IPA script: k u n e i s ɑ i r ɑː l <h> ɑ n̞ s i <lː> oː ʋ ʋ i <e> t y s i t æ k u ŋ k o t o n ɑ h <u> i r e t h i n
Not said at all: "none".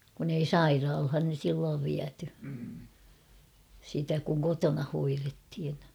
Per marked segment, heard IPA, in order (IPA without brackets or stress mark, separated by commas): h, lː, æ, o